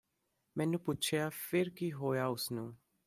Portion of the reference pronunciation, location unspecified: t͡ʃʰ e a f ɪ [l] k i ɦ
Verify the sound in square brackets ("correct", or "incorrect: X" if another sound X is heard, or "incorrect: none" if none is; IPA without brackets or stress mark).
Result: incorrect: ɾ